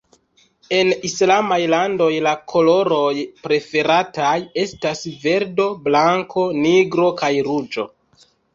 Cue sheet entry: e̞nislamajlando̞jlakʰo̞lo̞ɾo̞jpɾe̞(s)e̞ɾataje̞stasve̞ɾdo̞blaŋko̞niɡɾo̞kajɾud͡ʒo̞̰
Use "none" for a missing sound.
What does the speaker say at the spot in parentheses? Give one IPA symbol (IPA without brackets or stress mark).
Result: f